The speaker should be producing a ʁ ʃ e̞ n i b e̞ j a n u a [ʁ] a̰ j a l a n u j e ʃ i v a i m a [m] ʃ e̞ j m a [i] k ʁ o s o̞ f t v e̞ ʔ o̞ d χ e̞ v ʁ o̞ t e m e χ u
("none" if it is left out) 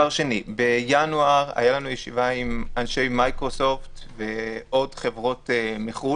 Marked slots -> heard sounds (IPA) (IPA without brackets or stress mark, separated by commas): ʁ, n, j